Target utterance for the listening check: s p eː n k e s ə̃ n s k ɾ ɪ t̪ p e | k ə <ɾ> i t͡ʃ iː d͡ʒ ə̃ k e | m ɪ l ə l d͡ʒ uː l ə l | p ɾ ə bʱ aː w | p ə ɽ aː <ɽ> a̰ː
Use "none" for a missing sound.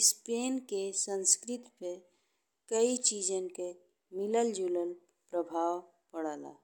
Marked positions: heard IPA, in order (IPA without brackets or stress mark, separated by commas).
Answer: none, l